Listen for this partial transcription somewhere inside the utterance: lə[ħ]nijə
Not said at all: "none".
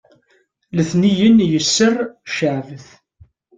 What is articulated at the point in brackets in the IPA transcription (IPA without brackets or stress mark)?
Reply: θ